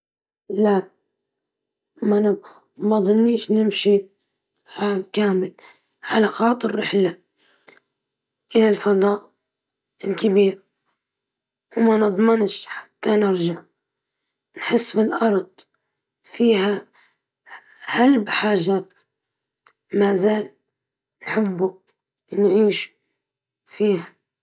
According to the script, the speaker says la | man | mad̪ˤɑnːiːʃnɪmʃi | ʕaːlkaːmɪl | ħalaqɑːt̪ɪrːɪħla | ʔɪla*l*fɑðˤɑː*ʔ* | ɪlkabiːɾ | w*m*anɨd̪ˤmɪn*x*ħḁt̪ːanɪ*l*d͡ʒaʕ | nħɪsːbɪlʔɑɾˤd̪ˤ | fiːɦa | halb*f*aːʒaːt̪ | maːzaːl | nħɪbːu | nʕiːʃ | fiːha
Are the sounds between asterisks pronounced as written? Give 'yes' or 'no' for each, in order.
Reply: yes, yes, yes, no, no, no

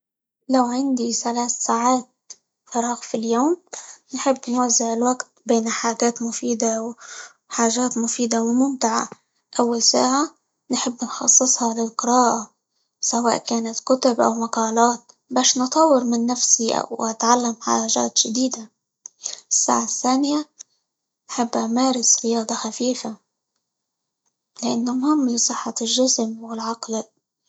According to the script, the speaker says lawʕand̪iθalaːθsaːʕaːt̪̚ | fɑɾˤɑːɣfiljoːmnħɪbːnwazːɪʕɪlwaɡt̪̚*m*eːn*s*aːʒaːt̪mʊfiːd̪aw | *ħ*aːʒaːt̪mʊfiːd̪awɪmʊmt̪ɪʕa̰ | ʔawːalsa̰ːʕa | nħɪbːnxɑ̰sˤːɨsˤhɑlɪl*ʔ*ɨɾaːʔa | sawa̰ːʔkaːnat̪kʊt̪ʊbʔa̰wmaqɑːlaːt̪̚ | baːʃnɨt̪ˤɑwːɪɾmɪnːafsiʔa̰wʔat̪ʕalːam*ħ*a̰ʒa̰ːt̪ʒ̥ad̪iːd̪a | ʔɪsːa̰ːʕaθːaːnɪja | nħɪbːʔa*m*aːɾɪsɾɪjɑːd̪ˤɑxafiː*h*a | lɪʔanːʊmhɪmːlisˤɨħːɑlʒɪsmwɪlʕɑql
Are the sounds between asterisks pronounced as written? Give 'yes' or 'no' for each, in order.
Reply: no, no, yes, no, yes, yes, no

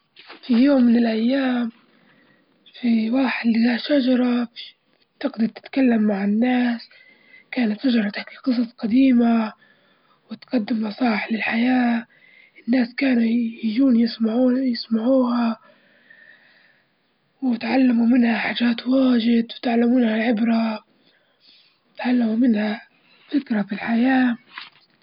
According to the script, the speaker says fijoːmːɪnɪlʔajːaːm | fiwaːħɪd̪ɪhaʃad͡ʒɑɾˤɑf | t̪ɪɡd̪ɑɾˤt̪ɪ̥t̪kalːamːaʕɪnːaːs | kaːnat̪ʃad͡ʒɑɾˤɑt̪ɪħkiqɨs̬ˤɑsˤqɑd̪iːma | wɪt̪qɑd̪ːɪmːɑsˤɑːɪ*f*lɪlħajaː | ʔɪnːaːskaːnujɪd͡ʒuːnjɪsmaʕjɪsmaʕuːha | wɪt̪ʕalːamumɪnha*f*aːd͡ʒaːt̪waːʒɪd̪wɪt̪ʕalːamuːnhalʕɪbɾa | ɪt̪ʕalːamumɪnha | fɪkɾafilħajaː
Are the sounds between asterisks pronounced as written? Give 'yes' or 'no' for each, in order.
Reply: no, no

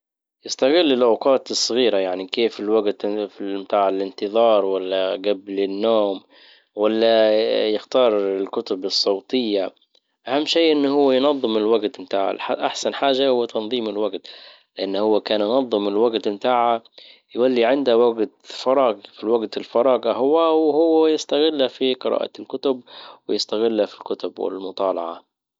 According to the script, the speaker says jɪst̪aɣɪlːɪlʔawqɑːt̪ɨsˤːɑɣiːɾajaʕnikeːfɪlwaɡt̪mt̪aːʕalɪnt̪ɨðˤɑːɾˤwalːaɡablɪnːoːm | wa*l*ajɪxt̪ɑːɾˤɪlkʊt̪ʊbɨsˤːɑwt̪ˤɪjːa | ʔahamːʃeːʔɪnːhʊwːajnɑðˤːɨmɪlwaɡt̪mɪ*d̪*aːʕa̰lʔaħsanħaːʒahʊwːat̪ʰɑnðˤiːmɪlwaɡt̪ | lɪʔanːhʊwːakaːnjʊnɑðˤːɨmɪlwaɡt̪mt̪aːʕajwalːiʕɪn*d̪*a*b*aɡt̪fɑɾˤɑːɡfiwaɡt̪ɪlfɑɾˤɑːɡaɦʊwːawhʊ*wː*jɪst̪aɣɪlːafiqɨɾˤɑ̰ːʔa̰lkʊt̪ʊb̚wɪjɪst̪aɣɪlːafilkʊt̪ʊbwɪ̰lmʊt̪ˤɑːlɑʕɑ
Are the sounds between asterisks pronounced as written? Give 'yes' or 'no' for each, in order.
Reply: no, no, yes, no, yes

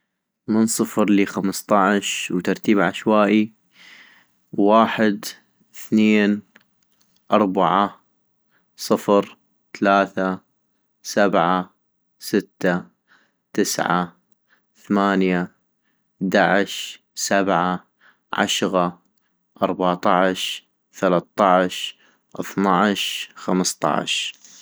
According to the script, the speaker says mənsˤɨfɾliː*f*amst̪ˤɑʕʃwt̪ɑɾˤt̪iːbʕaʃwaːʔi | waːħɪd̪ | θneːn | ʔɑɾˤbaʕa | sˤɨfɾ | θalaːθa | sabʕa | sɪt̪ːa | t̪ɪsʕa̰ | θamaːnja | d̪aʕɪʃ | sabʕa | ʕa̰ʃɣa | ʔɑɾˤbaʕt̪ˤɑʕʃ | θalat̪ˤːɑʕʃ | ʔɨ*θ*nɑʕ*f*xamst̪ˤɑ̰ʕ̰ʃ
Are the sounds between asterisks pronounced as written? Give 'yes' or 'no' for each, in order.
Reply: no, yes, no

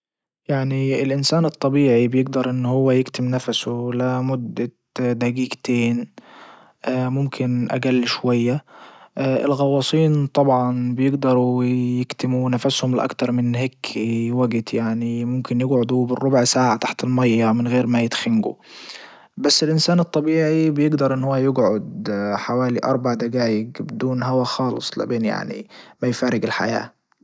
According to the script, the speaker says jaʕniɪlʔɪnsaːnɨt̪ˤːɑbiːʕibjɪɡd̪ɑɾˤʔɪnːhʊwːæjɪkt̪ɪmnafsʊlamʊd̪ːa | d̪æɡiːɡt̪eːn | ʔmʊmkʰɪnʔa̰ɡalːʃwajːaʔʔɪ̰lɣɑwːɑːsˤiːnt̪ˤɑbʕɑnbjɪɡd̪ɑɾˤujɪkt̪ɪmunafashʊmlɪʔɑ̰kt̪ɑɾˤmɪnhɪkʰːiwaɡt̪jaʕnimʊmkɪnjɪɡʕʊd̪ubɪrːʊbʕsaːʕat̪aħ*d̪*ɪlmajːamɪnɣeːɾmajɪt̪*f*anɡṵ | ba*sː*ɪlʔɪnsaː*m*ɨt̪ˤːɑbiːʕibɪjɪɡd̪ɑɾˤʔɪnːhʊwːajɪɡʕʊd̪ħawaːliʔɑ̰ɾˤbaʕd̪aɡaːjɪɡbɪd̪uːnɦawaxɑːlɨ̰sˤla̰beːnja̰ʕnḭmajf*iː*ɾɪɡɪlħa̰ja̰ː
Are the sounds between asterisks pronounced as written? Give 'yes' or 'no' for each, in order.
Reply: no, no, yes, no, no

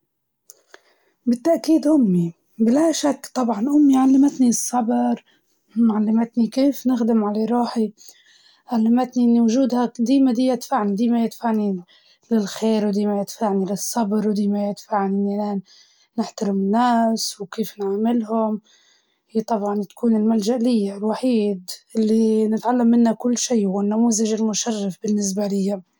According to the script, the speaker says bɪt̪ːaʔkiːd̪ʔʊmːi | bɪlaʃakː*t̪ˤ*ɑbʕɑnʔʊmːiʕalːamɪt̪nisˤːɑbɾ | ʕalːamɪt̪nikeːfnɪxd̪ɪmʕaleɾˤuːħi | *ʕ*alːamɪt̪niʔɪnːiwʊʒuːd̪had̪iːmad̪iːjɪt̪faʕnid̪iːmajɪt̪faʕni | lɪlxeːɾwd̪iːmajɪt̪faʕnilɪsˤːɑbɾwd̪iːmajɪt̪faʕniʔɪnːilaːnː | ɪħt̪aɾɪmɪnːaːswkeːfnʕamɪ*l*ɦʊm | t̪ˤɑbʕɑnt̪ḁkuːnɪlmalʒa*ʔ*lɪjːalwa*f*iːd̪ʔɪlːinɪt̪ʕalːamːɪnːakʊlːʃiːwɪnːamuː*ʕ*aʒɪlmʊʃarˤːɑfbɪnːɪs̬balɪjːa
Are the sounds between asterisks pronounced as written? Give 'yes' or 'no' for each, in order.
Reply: yes, yes, yes, yes, no, no

